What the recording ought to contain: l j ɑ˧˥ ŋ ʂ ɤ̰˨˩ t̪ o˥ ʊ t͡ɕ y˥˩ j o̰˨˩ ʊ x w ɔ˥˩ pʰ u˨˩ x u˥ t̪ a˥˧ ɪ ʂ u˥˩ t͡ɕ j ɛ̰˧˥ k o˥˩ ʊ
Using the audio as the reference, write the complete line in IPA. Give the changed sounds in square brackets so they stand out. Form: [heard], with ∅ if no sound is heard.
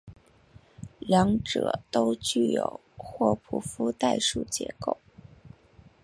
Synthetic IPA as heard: l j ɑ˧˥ ŋ [ʈ͡ʂ] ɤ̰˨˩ t̪ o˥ ʊ t͡ɕ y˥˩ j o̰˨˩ ʊ x w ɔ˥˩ pʰ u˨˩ [f] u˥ t̪ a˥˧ ɪ ʂ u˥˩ t͡ɕ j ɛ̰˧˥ k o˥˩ ʊ